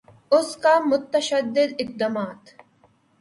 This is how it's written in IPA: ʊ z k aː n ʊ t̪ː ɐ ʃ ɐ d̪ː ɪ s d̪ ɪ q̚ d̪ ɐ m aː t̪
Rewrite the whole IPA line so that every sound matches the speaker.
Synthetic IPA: ʊ s k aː m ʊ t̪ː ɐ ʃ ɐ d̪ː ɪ d̪ ɪ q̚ d̪ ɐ m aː t̪